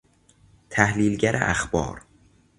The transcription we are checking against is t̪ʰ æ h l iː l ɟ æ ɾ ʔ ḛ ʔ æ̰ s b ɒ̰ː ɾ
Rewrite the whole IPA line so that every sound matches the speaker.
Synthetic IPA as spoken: t̪ʰ æ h l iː l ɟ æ ɾ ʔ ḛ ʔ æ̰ x b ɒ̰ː ɾ